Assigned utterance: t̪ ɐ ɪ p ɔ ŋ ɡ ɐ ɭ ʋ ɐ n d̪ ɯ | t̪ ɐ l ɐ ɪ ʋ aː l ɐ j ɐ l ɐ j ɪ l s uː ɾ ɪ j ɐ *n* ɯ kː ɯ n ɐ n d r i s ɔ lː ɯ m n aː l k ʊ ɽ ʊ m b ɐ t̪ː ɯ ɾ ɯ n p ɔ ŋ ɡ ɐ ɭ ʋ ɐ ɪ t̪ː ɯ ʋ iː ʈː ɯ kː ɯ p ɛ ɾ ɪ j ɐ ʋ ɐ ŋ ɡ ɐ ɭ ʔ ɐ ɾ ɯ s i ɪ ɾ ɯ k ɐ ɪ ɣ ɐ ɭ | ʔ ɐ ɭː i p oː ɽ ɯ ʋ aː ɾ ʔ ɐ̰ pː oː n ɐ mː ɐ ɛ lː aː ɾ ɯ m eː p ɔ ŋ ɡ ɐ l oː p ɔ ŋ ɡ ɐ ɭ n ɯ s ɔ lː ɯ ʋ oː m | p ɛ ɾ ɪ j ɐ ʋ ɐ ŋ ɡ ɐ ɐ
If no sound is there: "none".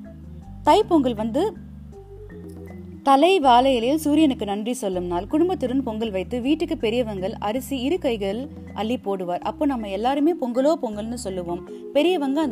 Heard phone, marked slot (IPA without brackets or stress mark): n